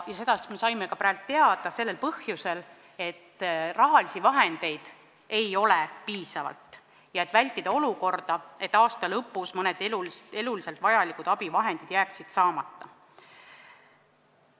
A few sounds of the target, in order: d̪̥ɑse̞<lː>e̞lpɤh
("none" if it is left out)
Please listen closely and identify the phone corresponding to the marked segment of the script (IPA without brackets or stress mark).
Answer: lː